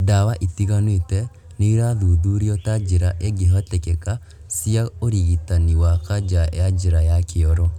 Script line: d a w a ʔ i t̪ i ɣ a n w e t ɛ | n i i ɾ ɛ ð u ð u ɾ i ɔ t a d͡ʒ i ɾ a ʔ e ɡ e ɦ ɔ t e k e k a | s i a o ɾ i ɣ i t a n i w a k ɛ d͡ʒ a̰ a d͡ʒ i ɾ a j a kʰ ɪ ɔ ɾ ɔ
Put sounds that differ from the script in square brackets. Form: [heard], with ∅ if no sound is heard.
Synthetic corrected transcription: d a w a ʔ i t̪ i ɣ a n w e t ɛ | n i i ɾ [a] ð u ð u ɾ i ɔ t a d͡ʒ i ɾ a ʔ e ɡ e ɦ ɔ t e k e k a | s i a o ɾ i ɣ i t a n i w a k [a] d͡ʒ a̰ a d͡ʒ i ɾ a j a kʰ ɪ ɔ ɾ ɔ